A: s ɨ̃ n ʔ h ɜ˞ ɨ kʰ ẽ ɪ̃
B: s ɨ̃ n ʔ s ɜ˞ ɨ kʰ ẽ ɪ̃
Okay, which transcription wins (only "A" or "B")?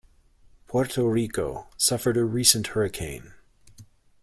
A